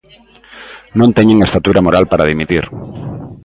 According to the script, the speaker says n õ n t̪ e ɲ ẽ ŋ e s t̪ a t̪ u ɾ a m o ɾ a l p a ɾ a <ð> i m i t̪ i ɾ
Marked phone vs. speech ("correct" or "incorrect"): correct